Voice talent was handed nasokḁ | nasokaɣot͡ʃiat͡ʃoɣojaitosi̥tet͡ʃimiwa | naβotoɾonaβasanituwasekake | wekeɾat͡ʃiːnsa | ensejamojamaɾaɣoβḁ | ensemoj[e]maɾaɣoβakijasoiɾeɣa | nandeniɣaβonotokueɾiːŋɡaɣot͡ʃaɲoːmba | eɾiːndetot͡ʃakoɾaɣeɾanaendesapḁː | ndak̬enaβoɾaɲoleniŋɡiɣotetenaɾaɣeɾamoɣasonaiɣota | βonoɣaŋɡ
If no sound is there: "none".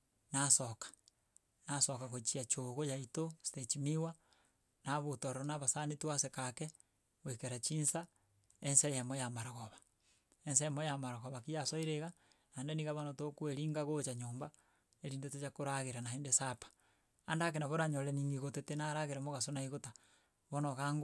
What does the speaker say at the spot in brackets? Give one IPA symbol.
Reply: a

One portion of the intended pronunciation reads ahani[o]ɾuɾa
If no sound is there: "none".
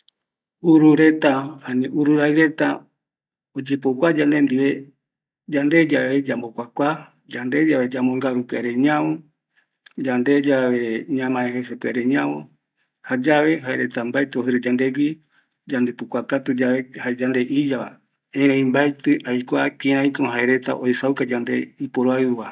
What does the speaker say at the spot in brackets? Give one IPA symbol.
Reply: u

